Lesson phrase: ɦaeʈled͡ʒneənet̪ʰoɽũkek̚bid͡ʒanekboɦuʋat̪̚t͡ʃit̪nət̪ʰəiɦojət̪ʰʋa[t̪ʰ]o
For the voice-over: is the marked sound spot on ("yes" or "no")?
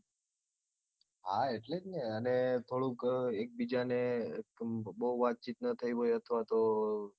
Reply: no